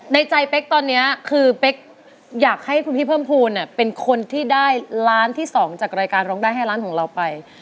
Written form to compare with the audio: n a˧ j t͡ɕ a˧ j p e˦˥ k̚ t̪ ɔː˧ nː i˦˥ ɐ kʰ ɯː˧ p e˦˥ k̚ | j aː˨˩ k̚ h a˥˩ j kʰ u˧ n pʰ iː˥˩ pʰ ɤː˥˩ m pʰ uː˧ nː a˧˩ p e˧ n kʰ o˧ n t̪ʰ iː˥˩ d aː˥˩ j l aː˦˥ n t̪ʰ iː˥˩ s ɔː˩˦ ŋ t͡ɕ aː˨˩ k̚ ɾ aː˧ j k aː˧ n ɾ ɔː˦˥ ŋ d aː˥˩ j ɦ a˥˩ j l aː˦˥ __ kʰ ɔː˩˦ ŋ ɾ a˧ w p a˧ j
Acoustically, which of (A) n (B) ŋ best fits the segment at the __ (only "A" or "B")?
A